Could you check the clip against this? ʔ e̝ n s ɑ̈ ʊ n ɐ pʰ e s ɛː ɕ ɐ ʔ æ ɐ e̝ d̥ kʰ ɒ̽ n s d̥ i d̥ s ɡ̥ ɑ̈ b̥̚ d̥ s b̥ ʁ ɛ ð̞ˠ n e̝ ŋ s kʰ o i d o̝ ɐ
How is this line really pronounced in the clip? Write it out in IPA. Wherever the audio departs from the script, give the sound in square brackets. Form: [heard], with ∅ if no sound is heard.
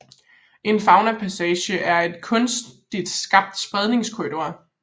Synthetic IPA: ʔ e̝ n [f] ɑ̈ ʊ n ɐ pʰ [æ] s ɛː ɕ [ə] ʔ æ ɐ e̝ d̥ kʰ [ɔ̽] n s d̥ i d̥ s ɡ̥ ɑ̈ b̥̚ d̥ s b̥ ʁ ɛ ð̞ˠ n e̝ ŋ s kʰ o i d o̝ ɐ